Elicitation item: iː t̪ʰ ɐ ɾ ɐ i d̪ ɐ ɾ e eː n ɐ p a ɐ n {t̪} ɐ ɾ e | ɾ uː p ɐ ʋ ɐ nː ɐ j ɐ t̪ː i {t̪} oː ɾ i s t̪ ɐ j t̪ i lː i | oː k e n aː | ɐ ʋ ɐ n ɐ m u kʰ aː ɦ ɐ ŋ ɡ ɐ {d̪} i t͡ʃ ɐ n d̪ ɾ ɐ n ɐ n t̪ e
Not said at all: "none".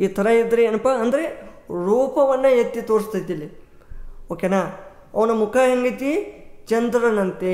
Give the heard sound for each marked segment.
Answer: d̪, t̪, t̪

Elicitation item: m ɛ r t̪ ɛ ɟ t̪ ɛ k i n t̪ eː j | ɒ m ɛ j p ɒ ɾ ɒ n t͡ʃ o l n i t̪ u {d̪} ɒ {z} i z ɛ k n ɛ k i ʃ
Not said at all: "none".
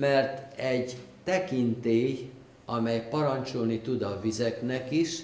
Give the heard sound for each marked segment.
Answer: d̪, v

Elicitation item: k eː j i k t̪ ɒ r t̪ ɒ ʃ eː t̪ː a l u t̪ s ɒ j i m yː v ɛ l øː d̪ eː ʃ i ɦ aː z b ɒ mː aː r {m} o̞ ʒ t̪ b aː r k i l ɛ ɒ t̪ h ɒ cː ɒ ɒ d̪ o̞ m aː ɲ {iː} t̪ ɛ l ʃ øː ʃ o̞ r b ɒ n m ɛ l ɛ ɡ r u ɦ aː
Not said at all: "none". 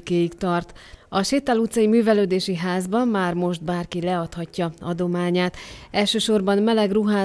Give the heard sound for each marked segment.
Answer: m, aː

